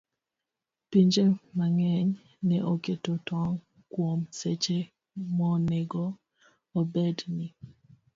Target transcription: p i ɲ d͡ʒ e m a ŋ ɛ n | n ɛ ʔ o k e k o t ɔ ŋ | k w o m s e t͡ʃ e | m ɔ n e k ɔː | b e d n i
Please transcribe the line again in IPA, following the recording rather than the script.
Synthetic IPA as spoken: p i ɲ d͡ʒ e m a ŋ ɛ ɲ | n ɛ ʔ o k e t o t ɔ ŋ | k w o m s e t͡ʃ e | m ɔ n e ɡ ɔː | b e d n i